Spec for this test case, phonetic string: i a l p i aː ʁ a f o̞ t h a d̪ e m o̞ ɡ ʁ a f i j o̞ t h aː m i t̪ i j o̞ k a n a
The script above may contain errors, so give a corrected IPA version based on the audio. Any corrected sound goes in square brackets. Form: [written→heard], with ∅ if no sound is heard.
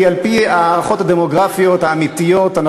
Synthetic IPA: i a l p i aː ʁ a [f→χ] o̞ t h a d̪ e m o̞ ɡ ʁ a f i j o̞ t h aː m i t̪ i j o̞ [k→t] a n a

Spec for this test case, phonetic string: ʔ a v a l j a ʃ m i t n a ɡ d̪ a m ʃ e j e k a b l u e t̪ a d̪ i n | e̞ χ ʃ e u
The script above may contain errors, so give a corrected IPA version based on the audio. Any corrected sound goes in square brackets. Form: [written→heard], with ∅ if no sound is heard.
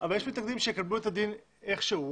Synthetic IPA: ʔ a v a l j [a→e] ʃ m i t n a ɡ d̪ [a→i] m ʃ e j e k a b l u e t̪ a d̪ i n | e̞ χ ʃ e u

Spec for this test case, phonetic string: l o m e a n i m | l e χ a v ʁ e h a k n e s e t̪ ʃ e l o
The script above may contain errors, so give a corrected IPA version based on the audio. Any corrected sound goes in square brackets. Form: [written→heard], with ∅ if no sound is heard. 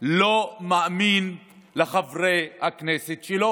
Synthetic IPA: l o m [e→a] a [n→m] i [m→n] | l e χ a v ʁ e h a k n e s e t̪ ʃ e l o

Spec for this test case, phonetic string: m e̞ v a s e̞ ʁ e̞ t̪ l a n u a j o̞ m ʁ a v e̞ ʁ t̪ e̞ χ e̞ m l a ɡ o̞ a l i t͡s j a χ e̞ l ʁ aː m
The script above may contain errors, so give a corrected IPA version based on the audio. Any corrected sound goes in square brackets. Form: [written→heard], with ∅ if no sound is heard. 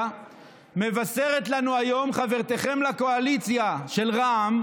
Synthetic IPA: m e̞ v a s e̞ ʁ e̞ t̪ l a n u a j o̞ m [ʁ→χ] a v e̞ ʁ t̪ e̞ χ e̞ m l a [ɡ→k] o̞ a l i t͡s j a [χ→ʃ] e̞ l ʁ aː m

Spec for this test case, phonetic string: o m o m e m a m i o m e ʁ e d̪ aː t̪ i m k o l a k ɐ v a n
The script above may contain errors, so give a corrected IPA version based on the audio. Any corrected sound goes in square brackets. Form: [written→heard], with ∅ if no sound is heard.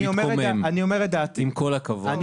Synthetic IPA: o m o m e m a [m→n] i o m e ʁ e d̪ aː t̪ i m k o l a k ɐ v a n

